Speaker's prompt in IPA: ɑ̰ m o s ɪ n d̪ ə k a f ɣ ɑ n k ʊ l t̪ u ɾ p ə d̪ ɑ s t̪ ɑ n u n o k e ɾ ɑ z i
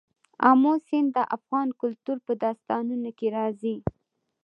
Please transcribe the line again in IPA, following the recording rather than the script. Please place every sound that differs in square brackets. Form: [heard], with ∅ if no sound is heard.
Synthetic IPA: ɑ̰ m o s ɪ n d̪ ə [ʔ] a f ɣ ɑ n k ʊ l t̪ u ɾ p ə d̪ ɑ s t̪ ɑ n u n o k e ɾ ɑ z i